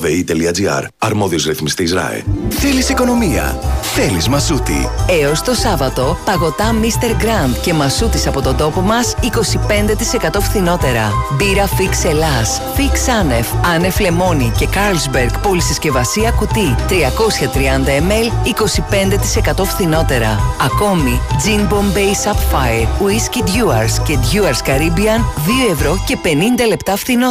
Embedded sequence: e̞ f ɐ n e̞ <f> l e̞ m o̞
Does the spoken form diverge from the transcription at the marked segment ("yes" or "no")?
no